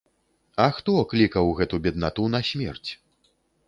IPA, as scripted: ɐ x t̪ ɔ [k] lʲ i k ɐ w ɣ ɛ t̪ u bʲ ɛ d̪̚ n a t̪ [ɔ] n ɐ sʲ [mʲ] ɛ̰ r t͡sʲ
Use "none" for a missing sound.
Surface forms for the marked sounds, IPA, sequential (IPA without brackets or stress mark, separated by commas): k, u, mʲ